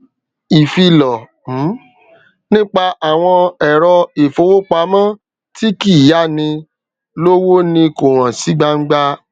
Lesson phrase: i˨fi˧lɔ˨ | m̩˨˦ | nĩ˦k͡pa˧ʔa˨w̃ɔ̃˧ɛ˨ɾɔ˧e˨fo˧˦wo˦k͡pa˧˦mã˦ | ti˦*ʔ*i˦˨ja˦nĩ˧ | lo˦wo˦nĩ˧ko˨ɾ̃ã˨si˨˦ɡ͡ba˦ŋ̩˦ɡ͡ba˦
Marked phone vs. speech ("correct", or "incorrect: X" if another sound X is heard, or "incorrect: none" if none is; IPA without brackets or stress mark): incorrect: k